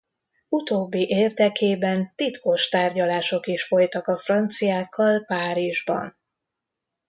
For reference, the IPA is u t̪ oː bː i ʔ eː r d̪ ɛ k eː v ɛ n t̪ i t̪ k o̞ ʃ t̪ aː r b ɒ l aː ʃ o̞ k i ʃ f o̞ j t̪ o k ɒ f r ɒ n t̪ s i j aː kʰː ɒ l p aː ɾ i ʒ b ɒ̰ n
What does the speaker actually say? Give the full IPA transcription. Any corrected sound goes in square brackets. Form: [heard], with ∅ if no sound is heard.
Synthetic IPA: u t̪ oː bː i ʔ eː r d̪ ɛ k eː [b] ɛ n t̪ i t̪ k o̞ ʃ t̪ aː r [ɟ] ɒ l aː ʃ o̞ k i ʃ f o̞ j t̪ [ɒ] k ɒ f r ɒ n t̪ s i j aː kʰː ɒ l p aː ɾ i ʒ b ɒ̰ n